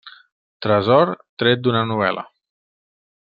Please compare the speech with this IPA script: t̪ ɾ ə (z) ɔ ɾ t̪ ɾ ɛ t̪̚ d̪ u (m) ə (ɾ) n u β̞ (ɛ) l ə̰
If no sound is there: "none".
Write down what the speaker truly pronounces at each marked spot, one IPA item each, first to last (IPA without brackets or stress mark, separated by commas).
z, n, none, ɛ